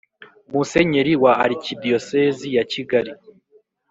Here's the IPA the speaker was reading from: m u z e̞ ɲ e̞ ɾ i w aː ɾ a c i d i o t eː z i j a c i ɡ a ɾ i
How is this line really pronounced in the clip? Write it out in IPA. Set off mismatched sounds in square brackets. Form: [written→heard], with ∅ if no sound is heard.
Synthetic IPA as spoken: m u [z→s] e̞ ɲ e̞ ɾ i w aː ɾ [a→i] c i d i o [t→s] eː z i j a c i ɡ a ɾ i